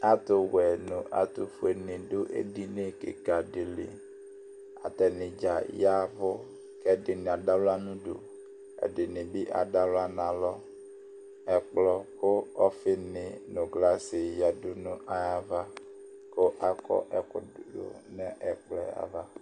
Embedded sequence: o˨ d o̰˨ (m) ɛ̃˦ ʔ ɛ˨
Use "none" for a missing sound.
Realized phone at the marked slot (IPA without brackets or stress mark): n